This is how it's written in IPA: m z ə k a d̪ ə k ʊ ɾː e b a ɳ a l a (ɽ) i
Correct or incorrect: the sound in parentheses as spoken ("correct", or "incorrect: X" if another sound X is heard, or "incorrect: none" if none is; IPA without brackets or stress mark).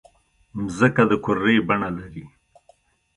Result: incorrect: ɾ